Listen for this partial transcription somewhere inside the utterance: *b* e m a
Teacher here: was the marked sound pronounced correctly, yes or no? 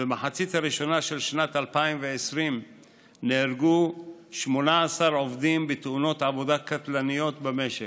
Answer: yes